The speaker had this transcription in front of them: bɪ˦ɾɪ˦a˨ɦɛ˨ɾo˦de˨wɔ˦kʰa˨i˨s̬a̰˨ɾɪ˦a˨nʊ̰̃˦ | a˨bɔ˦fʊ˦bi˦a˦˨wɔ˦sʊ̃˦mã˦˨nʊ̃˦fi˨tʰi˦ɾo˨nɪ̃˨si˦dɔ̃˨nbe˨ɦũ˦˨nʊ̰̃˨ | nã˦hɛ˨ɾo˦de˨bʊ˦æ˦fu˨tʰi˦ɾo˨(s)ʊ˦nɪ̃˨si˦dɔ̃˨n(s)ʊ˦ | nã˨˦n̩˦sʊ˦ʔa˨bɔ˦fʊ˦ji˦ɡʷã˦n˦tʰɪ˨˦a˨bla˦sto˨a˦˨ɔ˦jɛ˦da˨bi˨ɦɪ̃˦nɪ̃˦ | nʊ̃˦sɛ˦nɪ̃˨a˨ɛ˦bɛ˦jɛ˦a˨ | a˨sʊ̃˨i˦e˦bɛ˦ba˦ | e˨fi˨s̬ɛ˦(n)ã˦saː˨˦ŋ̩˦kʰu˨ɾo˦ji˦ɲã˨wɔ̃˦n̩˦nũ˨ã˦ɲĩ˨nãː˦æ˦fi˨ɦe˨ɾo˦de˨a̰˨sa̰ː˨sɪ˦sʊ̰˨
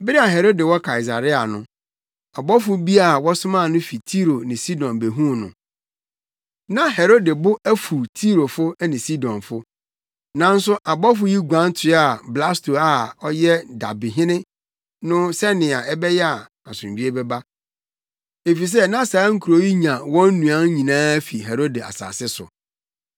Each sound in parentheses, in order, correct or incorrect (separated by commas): incorrect, incorrect, correct